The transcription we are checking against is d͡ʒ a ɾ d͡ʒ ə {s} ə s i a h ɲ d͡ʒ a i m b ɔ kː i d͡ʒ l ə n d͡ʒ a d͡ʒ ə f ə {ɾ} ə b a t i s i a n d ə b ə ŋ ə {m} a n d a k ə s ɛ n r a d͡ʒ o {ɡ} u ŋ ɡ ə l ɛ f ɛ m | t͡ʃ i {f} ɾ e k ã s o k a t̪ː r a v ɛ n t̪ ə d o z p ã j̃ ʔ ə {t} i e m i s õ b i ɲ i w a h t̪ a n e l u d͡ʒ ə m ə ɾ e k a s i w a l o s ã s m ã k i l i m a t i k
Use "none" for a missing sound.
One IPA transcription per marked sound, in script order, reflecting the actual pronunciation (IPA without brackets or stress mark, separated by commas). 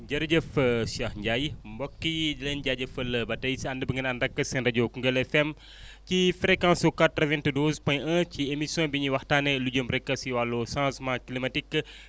f, l, n, k, f, t͡ʃ